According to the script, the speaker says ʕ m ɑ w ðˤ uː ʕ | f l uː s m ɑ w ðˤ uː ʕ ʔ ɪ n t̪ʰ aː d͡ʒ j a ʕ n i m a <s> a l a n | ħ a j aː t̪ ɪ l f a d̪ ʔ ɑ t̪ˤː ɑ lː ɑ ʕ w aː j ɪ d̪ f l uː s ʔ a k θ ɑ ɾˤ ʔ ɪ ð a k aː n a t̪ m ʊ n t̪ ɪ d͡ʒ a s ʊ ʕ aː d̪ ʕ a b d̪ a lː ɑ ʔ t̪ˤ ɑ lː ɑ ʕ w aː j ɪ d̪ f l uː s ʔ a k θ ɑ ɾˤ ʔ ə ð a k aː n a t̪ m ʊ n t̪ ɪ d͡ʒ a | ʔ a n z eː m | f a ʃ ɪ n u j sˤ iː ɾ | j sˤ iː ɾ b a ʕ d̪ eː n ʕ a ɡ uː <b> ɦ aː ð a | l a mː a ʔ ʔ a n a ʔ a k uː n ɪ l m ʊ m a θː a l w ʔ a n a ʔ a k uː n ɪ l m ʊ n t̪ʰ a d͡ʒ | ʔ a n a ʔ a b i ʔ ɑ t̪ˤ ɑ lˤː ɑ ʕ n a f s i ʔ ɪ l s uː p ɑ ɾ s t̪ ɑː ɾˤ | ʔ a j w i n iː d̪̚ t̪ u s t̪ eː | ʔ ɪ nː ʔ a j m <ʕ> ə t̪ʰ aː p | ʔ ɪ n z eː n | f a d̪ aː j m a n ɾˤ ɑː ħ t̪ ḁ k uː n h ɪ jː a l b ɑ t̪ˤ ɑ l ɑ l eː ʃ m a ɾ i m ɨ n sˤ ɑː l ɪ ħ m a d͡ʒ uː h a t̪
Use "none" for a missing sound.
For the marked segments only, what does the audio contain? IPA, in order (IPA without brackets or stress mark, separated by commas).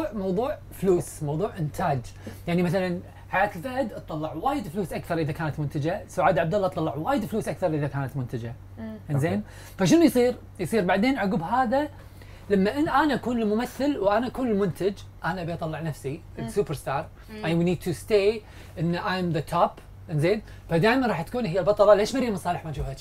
θ, b, ð